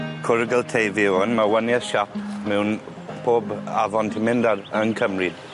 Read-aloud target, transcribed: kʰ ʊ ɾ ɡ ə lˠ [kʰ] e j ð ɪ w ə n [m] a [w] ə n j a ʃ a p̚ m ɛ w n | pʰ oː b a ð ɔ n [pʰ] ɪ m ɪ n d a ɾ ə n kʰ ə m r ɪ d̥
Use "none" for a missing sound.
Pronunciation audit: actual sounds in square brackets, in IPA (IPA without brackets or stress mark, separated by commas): tʰ, m, w, tʰ